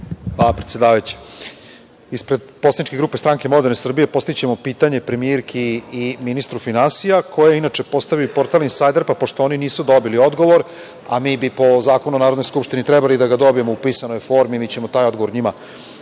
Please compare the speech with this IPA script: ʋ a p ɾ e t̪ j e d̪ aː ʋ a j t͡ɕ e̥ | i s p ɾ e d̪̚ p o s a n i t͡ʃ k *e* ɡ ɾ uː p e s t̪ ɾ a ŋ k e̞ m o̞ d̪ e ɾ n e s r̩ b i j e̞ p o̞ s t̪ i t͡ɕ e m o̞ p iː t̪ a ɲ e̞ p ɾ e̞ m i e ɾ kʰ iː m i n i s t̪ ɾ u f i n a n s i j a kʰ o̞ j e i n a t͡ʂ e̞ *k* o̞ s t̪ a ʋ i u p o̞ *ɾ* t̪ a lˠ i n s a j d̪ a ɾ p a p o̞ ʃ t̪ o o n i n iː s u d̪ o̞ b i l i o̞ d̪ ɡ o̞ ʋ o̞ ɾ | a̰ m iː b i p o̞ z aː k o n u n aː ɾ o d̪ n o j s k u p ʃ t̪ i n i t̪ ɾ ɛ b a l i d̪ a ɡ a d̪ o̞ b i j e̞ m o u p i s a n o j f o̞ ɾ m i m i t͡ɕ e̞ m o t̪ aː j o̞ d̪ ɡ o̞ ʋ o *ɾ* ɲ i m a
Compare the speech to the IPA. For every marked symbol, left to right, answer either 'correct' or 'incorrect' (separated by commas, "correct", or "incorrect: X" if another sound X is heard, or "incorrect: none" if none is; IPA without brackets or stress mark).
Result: correct, incorrect: p, correct, correct